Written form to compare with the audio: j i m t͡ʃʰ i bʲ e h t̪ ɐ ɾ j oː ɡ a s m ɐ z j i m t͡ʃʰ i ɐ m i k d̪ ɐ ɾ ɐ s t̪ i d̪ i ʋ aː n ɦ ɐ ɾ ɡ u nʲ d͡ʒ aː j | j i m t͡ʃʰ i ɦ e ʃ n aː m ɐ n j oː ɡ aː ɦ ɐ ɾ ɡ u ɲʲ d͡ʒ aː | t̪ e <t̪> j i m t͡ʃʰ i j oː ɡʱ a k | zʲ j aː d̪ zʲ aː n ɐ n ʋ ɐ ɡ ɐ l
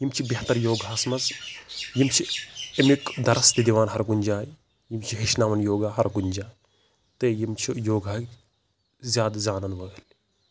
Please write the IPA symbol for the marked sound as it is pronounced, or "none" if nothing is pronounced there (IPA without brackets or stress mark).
none